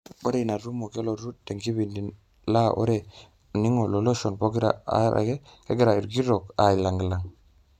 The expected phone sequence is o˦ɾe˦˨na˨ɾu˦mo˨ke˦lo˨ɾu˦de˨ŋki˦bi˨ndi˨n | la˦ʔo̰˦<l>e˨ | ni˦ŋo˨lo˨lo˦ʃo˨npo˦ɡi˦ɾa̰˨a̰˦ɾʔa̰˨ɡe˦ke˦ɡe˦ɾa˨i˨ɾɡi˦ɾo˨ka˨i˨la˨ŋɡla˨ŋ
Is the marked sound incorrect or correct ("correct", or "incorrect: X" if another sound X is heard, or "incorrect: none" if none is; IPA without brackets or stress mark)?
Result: incorrect: ɾ